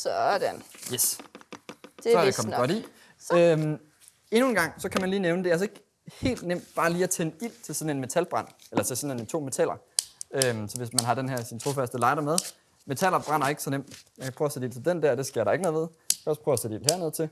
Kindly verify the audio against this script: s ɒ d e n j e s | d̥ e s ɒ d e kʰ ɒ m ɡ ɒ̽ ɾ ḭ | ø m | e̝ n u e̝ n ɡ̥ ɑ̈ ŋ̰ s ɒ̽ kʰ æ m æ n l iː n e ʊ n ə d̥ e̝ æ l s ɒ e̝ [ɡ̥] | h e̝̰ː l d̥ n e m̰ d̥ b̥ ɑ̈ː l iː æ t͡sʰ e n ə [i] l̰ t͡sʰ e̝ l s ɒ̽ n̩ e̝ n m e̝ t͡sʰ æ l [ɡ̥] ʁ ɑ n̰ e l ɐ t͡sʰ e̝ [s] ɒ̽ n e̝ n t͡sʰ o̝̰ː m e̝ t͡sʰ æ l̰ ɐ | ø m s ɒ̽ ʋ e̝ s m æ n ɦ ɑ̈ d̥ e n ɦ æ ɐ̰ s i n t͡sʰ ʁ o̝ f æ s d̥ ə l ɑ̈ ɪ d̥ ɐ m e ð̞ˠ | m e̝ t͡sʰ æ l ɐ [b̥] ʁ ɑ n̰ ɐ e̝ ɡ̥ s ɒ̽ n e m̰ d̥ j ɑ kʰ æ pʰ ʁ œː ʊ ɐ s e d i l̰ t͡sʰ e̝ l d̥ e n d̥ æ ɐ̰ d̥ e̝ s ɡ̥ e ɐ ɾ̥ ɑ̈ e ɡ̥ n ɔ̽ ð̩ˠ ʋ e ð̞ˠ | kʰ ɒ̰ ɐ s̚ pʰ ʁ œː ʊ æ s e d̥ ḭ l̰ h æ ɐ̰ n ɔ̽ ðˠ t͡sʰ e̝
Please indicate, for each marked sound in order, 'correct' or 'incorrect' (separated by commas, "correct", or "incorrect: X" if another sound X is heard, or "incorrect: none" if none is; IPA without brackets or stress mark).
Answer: correct, correct, incorrect: b̥, correct, correct